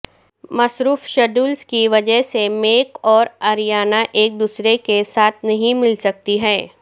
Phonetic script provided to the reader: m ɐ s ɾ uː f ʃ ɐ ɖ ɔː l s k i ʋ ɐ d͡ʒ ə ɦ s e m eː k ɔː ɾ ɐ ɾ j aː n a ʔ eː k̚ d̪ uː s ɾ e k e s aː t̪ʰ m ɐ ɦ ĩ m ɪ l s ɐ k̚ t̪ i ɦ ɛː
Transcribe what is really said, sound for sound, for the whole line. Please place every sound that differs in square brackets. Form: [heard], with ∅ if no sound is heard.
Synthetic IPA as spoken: m ɐ s ɾ uː f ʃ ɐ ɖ [uː] l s k i ʋ ɐ d͡ʒ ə ɦ s e m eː k ɔː ɾ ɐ ɾ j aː n a ʔ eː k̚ d̪ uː s ɾ e k e s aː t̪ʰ [n] ɐ ɦ ĩ m ɪ l s ɐ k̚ t̪ i ɦ ɛː